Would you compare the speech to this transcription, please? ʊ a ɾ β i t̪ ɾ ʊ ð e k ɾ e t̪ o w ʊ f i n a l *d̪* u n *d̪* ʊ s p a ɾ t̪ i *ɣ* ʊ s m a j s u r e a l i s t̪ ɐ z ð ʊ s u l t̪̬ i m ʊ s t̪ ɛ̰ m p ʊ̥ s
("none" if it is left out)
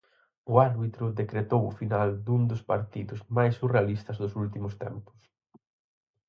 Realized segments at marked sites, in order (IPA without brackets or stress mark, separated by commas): d̪, d̪, ð